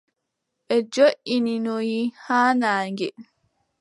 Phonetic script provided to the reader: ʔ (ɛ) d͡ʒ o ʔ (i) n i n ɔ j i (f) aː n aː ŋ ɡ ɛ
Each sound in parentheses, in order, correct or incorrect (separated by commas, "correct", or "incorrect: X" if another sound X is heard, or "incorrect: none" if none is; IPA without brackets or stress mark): correct, correct, incorrect: h